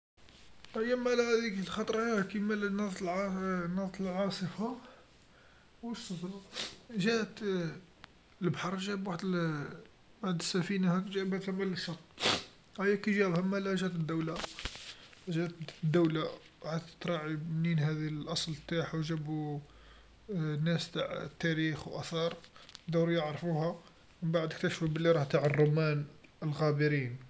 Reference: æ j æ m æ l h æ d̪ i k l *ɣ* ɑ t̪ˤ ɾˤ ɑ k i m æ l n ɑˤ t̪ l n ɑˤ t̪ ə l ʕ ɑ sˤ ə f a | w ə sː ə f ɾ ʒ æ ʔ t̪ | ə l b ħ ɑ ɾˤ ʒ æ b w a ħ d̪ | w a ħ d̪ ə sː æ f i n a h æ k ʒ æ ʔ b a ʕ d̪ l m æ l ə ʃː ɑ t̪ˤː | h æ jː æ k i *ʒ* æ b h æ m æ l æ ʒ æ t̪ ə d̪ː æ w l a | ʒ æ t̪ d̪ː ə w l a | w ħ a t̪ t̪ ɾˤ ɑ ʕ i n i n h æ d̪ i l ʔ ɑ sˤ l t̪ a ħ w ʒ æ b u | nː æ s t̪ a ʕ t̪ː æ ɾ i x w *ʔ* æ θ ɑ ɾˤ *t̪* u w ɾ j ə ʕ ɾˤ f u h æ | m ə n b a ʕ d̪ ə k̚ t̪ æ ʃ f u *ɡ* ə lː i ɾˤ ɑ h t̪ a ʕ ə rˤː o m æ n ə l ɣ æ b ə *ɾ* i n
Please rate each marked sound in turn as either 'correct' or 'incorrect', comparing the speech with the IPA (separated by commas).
incorrect, correct, correct, incorrect, incorrect, correct